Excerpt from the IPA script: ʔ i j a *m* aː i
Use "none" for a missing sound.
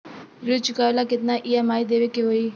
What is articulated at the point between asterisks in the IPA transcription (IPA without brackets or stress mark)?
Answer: m